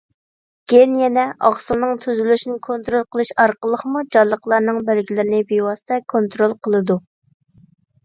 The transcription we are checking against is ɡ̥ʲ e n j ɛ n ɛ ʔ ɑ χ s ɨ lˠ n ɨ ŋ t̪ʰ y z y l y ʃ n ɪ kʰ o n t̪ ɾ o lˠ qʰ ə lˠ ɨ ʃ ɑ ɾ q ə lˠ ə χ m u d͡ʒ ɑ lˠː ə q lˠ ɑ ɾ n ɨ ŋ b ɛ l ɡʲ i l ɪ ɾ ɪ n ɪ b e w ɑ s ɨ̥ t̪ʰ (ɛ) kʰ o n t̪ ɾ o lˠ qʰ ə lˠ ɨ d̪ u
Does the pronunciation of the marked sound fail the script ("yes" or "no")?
no